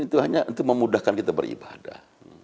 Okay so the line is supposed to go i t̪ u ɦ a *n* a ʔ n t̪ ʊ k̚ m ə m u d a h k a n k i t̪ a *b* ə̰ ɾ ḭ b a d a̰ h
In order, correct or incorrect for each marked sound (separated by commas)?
incorrect, correct